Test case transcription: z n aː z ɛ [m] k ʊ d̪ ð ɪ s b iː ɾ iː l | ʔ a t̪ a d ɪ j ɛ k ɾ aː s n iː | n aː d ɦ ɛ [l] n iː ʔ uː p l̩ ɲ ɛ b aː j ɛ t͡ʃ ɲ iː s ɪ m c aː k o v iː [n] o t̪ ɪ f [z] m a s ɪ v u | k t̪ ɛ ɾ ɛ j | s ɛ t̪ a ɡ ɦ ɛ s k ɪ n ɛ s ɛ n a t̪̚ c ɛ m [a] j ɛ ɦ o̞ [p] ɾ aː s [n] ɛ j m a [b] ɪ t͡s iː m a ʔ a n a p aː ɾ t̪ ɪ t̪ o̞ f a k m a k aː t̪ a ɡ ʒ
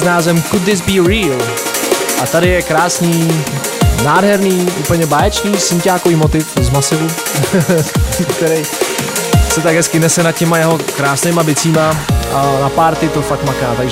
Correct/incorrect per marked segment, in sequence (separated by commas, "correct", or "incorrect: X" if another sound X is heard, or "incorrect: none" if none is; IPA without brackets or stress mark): correct, incorrect: ɾ, incorrect: m, correct, correct, incorrect: k, correct, correct